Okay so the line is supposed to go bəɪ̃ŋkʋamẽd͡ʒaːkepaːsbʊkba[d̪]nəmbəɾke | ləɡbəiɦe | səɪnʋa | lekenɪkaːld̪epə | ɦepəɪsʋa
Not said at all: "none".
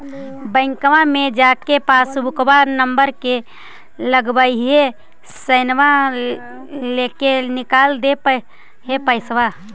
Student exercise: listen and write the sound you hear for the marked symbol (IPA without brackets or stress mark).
none